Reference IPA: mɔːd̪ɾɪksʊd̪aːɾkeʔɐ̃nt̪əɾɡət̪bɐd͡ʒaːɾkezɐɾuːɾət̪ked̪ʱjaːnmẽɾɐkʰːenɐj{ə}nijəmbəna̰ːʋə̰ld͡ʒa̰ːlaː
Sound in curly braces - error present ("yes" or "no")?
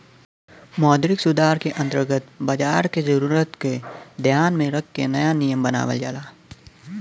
yes